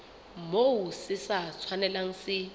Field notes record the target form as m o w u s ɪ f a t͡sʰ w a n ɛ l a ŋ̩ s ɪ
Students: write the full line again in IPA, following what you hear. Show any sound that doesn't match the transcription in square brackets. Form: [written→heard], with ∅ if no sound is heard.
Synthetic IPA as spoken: m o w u s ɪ [f→s] a t͡sʰ w a n ɛ l a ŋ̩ s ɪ